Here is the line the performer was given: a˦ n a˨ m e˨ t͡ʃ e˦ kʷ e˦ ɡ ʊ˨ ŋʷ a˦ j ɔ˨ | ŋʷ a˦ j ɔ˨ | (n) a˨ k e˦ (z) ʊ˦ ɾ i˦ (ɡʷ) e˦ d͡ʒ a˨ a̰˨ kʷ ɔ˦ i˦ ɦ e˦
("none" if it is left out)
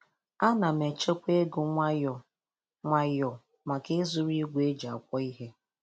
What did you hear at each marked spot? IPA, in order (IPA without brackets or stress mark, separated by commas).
m, z, ɡʷ